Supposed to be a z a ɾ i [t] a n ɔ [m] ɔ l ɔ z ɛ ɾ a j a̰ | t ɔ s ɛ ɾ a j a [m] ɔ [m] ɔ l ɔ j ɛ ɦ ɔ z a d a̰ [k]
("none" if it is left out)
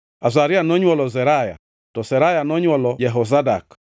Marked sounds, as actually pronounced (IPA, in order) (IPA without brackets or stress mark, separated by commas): none, ɲ, n, ɲ, k